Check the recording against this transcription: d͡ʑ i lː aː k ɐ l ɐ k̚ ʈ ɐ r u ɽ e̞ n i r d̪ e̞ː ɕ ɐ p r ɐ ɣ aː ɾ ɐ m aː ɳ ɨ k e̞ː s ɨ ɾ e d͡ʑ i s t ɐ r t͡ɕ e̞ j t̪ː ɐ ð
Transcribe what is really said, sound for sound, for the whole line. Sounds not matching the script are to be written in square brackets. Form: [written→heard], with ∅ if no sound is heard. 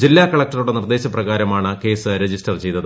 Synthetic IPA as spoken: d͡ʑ i lː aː k ɐ [l→ɭ] ɐ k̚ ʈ ɐ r u ɽ e̞ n i r d̪ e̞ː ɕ ɐ p r ɐ ɣ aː ɾ ɐ m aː ɳ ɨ k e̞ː s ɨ ɾ e d͡ʑ i s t ɐ r t͡ɕ e̞ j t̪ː ɐ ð